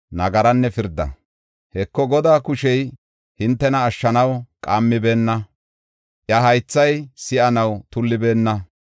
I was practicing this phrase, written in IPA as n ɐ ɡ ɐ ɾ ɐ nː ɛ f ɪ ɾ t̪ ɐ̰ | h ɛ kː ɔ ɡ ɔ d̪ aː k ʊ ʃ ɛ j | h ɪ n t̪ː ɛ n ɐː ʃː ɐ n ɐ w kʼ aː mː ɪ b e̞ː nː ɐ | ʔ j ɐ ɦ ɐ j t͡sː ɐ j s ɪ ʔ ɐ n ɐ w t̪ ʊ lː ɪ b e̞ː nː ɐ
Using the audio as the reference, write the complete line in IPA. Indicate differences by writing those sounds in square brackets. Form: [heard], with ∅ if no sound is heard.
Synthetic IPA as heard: n ɐ ɡ ɐ ɾ ɐ nː ɛ f ɪ ɾ [d̪] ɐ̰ | h ɛ kː ɔ ɡ ɔ d̪ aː k ʊ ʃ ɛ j | h ɪ n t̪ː ɛ n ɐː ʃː ɐ n ɐ w kʼ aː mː ɪ b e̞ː nː ɐ | ʔ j ɐ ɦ ɐ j t͡sː ɐ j s ɪ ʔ ɐ n ɐ w t̪ ʊ lː ɪ b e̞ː nː ɐ